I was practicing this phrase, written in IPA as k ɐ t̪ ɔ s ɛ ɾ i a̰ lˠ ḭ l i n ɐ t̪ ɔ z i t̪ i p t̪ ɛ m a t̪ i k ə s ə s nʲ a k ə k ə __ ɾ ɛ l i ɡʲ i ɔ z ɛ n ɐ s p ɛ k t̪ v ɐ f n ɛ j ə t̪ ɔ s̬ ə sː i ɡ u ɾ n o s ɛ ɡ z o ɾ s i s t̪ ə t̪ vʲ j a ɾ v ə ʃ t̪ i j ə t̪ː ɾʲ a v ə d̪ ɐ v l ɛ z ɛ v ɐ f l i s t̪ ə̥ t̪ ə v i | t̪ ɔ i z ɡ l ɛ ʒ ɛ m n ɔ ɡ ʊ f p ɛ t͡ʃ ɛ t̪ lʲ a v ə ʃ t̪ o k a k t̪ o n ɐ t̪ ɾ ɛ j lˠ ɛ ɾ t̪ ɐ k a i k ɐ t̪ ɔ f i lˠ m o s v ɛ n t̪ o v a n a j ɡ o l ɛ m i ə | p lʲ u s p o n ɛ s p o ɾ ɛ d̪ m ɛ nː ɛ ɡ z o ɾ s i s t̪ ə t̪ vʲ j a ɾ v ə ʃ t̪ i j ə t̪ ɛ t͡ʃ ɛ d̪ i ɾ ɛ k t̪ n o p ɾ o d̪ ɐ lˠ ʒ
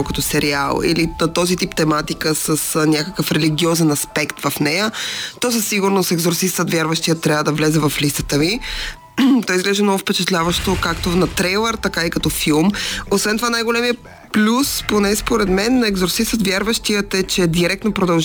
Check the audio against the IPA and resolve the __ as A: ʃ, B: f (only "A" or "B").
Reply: B